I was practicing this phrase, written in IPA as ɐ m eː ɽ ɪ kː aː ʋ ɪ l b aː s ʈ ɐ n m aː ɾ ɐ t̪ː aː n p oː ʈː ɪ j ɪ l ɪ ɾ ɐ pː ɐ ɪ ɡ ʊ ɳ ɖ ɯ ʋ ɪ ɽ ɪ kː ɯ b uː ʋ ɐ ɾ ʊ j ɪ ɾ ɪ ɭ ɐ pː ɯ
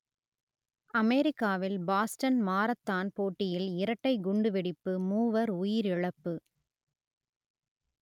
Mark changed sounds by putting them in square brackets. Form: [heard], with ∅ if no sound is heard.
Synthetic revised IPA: ɐ m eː [ɾ] ɪ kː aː ʋ ɪ l b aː s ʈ ɐ n m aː ɾ ɐ t̪ː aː n p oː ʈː ɪ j ɪ l ɪ ɾ ɐ [ʈː] ɐ ɪ ɡ ʊ ɳ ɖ ɯ ʋ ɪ ɽ ɪ [pː] ɯ [m] uː ʋ ɐ ɾ ʊ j ɪ ɾ ɪ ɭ ɐ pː ɯ